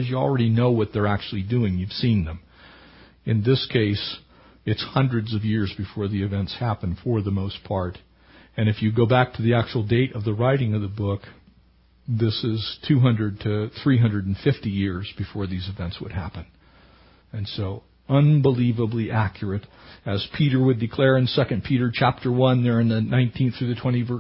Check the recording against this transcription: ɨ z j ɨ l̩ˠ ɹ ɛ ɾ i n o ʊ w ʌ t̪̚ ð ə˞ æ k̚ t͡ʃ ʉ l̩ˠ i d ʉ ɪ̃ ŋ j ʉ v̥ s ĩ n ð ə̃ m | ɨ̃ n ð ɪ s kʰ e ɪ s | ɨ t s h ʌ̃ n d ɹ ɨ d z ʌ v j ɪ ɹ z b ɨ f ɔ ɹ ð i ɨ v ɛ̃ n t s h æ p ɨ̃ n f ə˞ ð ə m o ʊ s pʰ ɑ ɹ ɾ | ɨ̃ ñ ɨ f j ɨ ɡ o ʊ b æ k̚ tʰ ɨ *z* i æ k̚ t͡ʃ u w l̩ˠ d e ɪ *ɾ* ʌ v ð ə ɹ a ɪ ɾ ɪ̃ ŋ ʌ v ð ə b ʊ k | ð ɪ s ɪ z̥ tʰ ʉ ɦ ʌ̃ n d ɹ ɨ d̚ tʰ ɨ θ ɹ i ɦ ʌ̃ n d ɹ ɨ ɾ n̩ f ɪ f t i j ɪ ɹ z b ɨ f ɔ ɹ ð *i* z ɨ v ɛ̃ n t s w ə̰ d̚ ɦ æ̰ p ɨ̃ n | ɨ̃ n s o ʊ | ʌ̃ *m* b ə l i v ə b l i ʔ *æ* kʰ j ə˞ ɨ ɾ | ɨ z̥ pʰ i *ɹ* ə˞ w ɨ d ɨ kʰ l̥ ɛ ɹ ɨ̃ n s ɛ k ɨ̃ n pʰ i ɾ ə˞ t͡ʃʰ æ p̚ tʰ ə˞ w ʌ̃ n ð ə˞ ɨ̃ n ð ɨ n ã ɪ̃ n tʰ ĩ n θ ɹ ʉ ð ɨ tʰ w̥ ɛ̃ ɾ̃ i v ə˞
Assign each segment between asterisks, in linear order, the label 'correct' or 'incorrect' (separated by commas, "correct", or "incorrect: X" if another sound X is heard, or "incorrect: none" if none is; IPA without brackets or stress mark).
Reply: incorrect: ð, correct, correct, incorrect: n, correct, incorrect: ɾ